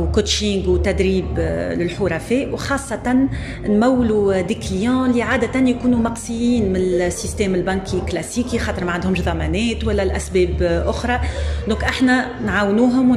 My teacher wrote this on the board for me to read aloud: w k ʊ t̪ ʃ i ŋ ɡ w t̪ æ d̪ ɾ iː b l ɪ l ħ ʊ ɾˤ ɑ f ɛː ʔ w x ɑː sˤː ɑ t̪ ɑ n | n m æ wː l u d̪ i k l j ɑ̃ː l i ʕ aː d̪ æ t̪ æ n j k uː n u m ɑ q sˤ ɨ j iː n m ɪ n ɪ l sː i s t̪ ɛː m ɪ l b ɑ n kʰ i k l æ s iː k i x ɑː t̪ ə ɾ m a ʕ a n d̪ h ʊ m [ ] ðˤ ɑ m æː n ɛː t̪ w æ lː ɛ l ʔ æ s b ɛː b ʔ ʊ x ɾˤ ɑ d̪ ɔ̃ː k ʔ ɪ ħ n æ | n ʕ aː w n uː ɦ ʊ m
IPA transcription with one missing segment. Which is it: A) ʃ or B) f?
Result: A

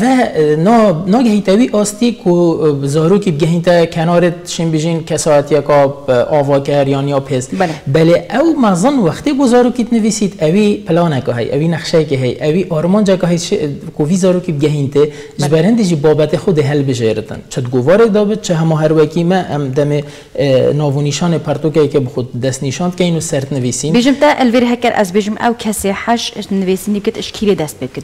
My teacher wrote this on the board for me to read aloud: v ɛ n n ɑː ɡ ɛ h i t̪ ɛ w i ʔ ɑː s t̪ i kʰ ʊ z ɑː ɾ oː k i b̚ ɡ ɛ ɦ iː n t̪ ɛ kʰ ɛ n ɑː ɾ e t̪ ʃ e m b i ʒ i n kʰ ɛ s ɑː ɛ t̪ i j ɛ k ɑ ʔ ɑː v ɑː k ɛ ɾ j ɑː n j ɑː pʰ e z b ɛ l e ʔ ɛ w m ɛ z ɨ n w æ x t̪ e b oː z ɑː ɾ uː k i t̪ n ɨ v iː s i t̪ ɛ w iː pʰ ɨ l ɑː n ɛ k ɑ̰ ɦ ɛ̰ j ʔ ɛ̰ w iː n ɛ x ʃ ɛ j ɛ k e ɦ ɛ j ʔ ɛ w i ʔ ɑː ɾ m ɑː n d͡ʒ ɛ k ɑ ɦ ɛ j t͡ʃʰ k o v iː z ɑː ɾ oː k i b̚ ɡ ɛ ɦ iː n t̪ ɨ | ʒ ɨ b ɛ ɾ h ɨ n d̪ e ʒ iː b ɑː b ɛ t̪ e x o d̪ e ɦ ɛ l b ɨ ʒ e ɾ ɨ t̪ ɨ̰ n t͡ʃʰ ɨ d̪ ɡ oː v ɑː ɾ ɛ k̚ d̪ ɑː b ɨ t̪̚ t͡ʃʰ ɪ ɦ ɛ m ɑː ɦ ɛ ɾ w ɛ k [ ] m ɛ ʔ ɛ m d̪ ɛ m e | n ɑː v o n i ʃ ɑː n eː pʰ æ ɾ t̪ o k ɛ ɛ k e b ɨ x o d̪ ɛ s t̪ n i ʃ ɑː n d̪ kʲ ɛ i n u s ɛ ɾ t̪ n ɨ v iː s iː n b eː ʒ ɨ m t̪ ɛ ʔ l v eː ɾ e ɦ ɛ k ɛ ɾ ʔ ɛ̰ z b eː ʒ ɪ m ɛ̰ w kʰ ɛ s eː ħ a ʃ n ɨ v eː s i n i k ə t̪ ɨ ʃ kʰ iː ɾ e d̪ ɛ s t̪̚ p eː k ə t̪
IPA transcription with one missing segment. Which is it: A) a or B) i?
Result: B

